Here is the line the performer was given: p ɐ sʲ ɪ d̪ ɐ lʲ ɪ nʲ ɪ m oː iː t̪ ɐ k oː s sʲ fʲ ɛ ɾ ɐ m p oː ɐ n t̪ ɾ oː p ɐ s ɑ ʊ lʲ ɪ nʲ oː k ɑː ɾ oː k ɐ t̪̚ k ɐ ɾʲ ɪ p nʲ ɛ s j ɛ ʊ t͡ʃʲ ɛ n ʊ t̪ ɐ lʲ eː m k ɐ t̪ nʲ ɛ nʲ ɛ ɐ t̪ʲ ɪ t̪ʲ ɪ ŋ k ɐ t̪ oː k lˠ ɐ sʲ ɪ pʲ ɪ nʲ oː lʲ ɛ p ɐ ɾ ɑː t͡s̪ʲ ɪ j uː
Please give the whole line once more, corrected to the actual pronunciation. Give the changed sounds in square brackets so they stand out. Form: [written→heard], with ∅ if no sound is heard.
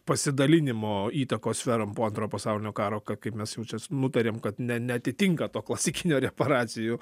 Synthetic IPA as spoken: p ɐ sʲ ɪ d̪ ɐ lʲ ɪ nʲ ɪ m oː iː t̪ ɐ k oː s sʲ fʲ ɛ ɾ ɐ m p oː ɐ n t̪ ɾ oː p ɐ s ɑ ʊ lʲ ɪ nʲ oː k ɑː ɾ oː k ɐ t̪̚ k ɐ [ɾʲ→∅] ɪ p [nʲ→mʲ] ɛ s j ɛ ʊ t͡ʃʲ ɛ n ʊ t̪ ɐ [lʲ→ɾʲ] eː m k ɐ t̪ nʲ ɛ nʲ ɛ ɐ t̪ʲ ɪ t̪ʲ ɪ ŋ k ɐ t̪ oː k lˠ ɐ sʲ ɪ [pʲ→kʲ] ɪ nʲ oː [lʲ→ɾʲ] ɛ p ɐ ɾ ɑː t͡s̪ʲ ɪ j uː